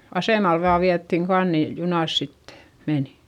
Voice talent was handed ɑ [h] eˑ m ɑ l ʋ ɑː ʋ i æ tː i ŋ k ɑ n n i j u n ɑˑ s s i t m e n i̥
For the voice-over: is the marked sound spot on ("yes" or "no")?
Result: no